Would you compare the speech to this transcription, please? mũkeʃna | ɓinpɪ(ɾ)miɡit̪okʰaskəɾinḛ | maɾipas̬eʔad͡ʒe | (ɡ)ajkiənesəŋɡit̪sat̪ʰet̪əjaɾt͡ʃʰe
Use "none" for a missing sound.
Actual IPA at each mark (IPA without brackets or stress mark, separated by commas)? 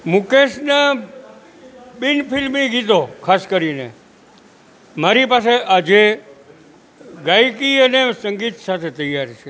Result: l, ɡ